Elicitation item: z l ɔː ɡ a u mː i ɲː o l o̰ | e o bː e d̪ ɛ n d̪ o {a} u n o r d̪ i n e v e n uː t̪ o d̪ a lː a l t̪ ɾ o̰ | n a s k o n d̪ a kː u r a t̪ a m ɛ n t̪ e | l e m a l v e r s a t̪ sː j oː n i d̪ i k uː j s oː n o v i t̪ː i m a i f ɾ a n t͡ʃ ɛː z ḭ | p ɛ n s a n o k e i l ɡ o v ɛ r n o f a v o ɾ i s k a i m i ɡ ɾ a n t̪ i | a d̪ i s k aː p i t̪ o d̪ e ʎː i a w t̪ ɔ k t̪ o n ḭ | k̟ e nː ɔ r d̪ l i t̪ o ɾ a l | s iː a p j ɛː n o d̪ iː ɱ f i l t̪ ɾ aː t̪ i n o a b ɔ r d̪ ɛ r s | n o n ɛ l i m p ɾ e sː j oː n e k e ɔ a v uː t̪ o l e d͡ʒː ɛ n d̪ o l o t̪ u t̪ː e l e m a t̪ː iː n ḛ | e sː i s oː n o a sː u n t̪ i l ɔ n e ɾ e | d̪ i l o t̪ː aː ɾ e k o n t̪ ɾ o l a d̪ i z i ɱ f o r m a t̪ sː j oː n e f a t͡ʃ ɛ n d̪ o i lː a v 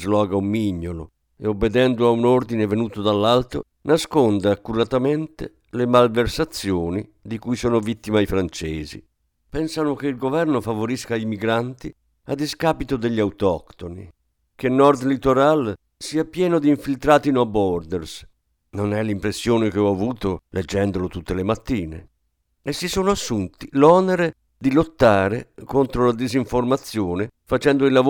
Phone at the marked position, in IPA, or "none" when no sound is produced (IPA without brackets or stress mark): a